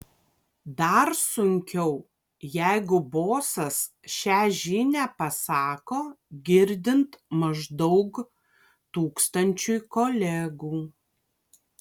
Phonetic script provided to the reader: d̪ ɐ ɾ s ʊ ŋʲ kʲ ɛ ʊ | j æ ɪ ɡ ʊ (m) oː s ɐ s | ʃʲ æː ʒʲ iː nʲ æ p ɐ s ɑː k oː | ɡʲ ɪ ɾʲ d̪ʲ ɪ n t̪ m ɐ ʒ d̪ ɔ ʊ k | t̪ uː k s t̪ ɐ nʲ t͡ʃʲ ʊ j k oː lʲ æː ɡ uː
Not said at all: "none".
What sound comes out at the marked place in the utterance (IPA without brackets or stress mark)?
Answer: b